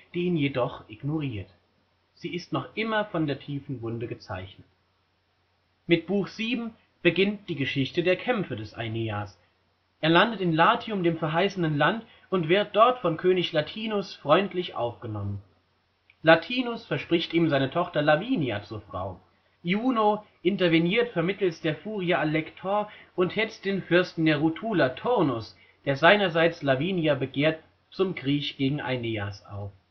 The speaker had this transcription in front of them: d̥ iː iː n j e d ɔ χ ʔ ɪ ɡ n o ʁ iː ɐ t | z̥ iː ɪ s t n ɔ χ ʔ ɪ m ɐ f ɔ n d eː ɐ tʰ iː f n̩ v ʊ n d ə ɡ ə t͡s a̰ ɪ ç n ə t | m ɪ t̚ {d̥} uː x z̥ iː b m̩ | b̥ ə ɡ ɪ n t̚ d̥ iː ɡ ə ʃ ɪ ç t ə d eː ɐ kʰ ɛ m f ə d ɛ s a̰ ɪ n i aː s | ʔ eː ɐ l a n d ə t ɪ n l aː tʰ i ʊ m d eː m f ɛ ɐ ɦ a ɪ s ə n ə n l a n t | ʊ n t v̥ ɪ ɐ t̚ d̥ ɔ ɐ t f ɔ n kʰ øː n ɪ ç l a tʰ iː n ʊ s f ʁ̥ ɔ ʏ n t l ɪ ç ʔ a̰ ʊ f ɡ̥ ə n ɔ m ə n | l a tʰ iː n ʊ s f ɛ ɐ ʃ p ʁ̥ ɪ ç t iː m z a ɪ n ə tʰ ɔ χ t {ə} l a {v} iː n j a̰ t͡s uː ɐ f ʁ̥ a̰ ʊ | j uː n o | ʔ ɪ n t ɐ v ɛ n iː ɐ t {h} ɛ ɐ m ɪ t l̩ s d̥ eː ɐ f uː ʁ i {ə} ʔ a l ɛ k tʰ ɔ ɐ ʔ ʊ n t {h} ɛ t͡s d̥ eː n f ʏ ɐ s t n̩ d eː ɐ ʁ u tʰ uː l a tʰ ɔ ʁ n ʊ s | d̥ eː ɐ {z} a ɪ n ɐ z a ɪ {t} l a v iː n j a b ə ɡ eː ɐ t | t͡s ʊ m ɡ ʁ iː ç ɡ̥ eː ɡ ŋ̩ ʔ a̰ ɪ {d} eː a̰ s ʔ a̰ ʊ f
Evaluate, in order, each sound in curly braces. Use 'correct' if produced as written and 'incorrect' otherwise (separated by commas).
incorrect, incorrect, correct, incorrect, incorrect, correct, correct, incorrect, incorrect